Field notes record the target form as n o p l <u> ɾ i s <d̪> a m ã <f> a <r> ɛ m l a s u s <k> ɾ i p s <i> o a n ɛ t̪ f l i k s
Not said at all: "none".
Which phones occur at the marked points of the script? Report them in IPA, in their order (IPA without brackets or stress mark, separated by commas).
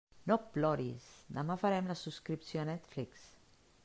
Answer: ɔ, d̪, f, ɾ, k, j